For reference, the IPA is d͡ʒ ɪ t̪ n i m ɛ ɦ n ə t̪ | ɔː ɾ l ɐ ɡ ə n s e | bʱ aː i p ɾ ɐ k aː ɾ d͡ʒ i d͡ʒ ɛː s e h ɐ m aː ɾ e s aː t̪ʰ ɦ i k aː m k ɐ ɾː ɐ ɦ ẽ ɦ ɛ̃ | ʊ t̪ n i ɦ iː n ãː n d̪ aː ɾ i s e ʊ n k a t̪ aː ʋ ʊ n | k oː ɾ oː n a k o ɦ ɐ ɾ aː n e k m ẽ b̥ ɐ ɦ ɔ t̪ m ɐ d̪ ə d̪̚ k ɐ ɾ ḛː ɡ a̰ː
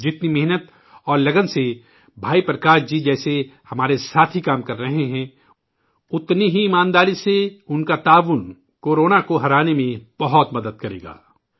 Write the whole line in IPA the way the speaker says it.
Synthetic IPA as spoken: d͡ʒ ɪ t̪ n i m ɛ ɦ n ə t̪ | ɔː ɾ l ɐ ɡ ə n s e | bʱ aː i p ɾ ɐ k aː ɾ d͡ʒ i d͡ʒ ɛː s e h ɐ m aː ɾ e s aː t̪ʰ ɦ i k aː m k ɐ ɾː ɐ ɦ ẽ ɦ ɛ̃ | ʊ t̪ n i ɦ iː m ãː n d̪ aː ɾ i s e ʊ n k a t̪ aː ʋ ʊ n | k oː ɾ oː n a k o ɦ ɐ ɾ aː n e m ẽ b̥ ɐ ɦ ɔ t̪ m ɐ d̪ ə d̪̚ k ɐ ɾ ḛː ɡ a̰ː